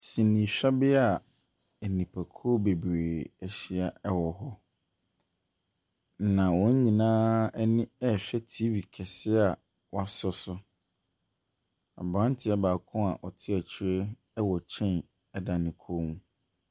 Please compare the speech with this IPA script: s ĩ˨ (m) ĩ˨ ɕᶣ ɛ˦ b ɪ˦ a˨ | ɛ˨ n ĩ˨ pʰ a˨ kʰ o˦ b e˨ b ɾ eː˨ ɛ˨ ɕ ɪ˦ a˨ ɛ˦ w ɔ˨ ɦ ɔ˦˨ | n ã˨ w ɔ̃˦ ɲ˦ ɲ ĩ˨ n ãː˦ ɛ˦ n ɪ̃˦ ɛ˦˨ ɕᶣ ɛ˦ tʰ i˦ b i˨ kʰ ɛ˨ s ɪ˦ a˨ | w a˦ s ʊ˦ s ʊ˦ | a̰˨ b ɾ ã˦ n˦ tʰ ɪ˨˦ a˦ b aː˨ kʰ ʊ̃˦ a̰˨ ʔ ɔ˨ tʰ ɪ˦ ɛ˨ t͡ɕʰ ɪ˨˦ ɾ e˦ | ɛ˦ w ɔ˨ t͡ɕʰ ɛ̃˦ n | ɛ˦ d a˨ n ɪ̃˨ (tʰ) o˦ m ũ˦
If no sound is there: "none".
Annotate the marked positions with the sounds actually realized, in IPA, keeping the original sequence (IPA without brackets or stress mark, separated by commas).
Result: n, kʰ